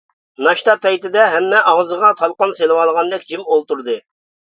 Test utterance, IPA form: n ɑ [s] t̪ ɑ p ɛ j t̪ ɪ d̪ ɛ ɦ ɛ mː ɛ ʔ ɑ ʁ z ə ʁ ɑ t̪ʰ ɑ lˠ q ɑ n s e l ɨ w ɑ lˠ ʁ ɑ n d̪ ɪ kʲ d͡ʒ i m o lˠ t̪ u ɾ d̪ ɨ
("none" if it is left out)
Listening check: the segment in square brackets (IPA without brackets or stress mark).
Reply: ʃ